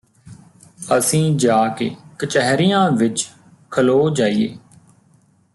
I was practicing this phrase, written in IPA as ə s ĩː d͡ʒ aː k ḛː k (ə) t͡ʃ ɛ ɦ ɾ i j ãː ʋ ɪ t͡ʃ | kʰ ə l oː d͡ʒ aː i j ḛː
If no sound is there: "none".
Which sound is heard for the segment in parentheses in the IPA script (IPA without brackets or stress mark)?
ə